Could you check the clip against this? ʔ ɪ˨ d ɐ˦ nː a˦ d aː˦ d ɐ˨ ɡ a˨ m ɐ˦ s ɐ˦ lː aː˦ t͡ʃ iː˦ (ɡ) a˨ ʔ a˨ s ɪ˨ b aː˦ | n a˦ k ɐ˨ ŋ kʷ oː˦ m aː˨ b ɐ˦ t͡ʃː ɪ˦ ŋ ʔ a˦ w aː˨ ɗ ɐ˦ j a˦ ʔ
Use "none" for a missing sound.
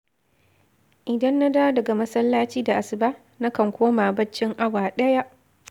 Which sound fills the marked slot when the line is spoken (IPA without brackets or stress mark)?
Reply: d